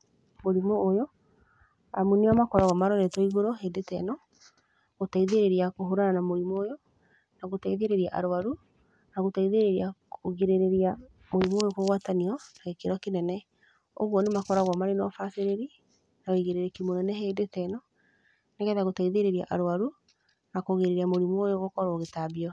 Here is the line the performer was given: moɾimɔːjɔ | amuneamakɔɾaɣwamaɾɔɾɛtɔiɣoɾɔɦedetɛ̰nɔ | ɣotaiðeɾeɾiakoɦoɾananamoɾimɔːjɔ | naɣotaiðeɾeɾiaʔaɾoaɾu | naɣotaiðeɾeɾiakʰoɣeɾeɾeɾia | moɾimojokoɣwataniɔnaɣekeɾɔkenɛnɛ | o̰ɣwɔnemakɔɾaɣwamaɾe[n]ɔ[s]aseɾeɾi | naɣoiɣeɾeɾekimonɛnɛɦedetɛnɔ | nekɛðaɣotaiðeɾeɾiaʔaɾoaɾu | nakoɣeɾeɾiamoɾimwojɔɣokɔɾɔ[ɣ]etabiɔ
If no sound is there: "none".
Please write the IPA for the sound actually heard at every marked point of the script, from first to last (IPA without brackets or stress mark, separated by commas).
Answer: n, f, ɣ